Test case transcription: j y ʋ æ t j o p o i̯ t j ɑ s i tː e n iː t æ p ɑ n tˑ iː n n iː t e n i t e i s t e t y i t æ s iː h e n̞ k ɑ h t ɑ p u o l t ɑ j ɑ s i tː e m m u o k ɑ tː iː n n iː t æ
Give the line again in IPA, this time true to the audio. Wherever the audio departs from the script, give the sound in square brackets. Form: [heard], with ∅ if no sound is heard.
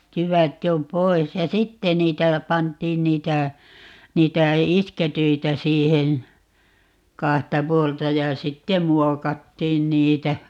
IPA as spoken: j y ʋ æ t j o p o i̯ [s] j ɑ s i tː e n iː t æ p ɑ n tˑ iː n n iː t [æ] n [iː] t [æ] i s [k] e t y i t æ s iː h e n̞ k ɑ h t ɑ p u o l t ɑ j ɑ s i tː e m m u o k ɑ tː iː n n iː t æ

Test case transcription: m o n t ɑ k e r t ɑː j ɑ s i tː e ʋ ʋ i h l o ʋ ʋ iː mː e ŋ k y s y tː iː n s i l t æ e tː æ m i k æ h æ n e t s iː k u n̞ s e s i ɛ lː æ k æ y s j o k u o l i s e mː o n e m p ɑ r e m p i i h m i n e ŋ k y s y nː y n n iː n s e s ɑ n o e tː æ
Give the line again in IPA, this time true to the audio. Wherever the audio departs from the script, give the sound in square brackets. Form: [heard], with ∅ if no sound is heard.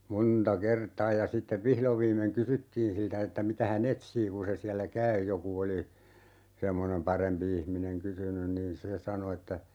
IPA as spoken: m o n t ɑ k e r t ɑː j ɑ s i tː e ʋ ʋ i h l o ʋ ʋ iː mː e ŋ k y s y tː iː n s i l t æ e tː æ m i [t] æ h æ n e t s iː k u n̞ s e s i [æ] lː æ k æ y [∅] j o k u o l i s e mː o n e m p ɑ r e m p i i h m i n e ŋ k y s y [n] y n n iː n s e s ɑ n o e tː æ

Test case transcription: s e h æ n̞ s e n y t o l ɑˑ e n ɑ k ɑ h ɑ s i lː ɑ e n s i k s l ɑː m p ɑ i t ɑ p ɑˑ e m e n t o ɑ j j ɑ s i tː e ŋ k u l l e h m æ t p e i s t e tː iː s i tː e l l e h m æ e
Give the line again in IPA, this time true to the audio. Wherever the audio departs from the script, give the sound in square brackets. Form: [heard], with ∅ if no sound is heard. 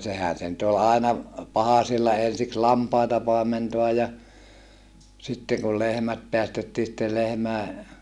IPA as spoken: s e h æ n̞ s e n y t o l ɑˑ e n ɑ [p] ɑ h ɑ s i lː ɑ e n s i k s l [ɑ] m p ɑ i t ɑ p ɑˑ e m e n t o ɑ j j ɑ s i tː e ŋ k u l l e h m æ t p e [æ] s t e tː iː s i tː e l l e h m æ e

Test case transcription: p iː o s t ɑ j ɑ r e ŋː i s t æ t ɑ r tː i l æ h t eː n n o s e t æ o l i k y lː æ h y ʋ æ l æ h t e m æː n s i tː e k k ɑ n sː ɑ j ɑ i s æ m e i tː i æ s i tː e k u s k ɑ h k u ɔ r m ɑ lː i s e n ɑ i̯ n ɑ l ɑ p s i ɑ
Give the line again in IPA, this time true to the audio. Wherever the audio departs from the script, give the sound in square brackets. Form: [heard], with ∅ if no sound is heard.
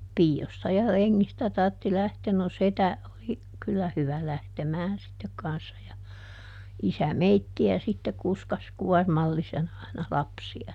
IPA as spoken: p iː o s t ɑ j ɑ r e ŋː i s t æ t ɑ r tː i l æ h t eː n n o s e t æ o l i k y lː æ h y ʋ æ l æ h t e m æː n s i tː e k k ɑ n sː ɑ j ɑ i s æ m e i tː i æ s i tː e k u s k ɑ [s] k u ɔ r m ɑ lː i s e n ɑ i̯ n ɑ l ɑ p s i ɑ

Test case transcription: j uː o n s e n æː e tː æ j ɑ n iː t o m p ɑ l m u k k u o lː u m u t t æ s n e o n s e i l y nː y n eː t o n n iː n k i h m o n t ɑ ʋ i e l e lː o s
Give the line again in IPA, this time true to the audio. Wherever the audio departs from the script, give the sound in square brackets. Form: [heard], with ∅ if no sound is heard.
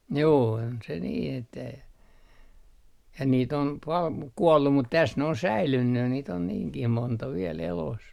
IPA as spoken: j uː o n s e n [iː] e tː æ j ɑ n iː t o m p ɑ l m u k k u o lː u m u t t æ s n e o n s [æ] i l y nː y n [iː] t o n n iː [ŋ] k i h m o n t ɑ ʋ i e l e [l] o s

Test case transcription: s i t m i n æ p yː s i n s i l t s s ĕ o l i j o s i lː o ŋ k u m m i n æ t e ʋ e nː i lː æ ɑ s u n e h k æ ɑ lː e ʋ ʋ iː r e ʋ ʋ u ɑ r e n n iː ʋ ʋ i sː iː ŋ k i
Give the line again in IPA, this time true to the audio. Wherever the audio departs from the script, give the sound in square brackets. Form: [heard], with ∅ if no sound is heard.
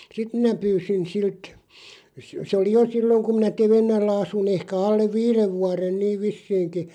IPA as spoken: s i t m i n æ p yː s i n s i l t s s ĕ o l i j o s i lː o ŋ k u m m i n æ t e ʋ e nː [æ] lː æ ɑ s u n e h k æ ɑ lː e ʋ ʋ iː r e ʋ ʋ u ɑ r e n n iː ʋ ʋ i sː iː ŋ k i

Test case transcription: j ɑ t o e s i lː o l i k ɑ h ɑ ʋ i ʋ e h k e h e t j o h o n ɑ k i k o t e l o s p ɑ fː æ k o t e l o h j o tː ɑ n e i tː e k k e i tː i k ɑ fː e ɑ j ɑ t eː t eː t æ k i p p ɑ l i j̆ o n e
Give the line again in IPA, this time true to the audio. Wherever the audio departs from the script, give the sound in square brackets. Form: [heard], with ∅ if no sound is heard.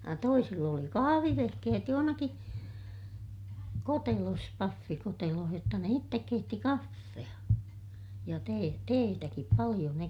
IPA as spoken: j ɑ t o [i] s i lː o l i k ɑ h ɑ ʋ i ʋ e h k e h e t j o h o n ɑ k i k o t e l o s p ɑ fː [i] k o t e l o h j o tː ɑ n e i tː e k k e i tː i k ɑ fː e ɑ j ɑ t eː t eː t æ k i p p ɑ l i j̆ o n e

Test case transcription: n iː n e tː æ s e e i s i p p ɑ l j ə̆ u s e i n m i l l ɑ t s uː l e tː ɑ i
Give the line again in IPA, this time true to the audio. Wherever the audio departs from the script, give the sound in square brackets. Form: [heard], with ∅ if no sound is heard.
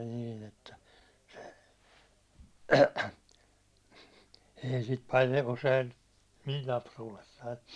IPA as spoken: n iː n e tː æ s e e i s i [t] p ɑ l j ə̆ u s e i n m i l l ɑ [p] s uː l e [sː] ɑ i

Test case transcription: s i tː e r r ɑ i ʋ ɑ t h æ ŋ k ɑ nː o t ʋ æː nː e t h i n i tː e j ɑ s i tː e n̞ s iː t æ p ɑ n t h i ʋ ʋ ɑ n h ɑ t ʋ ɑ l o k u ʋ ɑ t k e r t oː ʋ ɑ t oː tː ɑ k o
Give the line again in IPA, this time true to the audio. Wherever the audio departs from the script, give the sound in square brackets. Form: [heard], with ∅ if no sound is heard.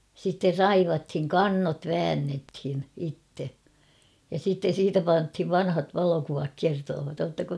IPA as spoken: s i tː e r r ɑ i ʋ ɑ t h [i] ŋ k ɑ nː o t ʋ æː nː e t h i n i tː e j ɑ s i tː e n̞ s iː t æ p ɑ n t h i ʋ ʋ ɑ n h ɑ t ʋ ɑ l o k u ʋ ɑ [k] k e r t oː ʋ ɑ t oː tː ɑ k o

